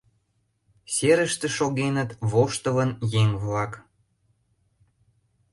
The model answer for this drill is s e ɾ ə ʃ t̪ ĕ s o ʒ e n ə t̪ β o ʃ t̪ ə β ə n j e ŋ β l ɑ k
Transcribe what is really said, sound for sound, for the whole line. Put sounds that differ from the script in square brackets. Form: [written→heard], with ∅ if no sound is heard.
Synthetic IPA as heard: s e ɾ ə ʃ t̪ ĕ [s→ʃ] o [ʒ→ɣ] e n ə t̪ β o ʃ t̪ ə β ə n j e ŋ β l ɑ k